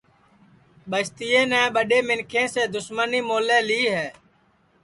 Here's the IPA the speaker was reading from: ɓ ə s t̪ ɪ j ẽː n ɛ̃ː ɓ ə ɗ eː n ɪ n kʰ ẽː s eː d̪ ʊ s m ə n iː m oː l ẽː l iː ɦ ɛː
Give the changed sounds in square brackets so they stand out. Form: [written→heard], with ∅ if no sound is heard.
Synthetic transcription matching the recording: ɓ ə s t̪ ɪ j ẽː n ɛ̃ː ɓ ə ɗ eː [n→m] ɪ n kʰ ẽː s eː d̪ ʊ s m ə n iː m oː l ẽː l iː ɦ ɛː

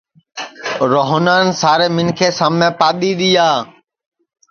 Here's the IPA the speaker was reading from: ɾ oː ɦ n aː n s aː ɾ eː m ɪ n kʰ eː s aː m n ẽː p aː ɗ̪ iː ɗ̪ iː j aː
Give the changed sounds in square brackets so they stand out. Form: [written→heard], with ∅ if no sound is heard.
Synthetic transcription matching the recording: ɾ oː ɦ n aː n s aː ɾ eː m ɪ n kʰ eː s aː m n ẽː p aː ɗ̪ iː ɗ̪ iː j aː

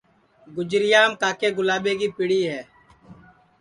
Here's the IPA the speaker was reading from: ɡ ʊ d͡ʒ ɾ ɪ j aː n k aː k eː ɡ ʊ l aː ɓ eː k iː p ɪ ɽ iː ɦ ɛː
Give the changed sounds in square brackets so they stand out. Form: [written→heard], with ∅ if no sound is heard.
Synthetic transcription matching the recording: ɡ ʊ d͡ʒ ɾ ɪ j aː [n→m] k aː k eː ɡ ʊ l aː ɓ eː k iː p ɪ ɽ iː ɦ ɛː

